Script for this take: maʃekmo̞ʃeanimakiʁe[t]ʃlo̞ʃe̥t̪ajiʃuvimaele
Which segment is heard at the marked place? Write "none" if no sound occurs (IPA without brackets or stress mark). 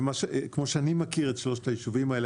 t